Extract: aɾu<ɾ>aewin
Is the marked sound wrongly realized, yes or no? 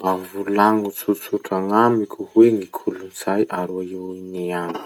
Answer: yes